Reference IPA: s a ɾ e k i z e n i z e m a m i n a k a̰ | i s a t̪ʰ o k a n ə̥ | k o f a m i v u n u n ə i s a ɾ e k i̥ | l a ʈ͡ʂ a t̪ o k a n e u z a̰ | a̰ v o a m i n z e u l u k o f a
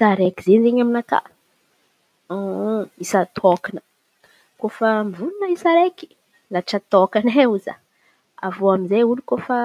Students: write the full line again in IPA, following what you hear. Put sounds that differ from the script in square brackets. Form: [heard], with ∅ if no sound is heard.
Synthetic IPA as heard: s a ɾ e k i z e n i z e [ɲ] a m i n a k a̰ | i s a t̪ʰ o k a n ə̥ | k o f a m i v u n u n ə i s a ɾ e k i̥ | l a ʈ͡ʂ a t̪ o k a n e u z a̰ | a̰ v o a m i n z e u l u k o f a